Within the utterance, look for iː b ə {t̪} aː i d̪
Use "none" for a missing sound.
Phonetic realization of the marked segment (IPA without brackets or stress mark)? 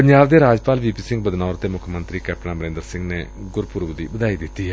d̪